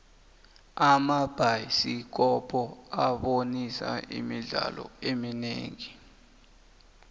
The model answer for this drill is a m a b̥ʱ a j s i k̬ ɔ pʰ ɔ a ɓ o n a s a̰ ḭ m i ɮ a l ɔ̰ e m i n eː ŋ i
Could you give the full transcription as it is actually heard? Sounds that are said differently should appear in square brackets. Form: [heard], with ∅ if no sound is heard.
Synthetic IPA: a m a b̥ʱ a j s i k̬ ɔ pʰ ɔ a ɓ o n [i] s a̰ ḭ m i ɮ a l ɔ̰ e m i n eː ŋ i